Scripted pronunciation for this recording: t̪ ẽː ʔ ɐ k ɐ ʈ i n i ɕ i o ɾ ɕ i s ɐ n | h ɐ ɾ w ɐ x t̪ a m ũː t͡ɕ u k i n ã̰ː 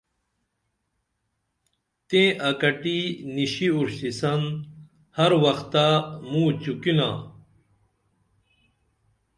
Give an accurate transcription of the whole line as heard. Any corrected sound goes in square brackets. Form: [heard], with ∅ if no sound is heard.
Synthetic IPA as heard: t̪ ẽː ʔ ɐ k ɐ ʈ i n i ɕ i [u] ɾ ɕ i s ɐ n | h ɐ ɾ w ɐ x t̪ a m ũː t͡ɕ u k i n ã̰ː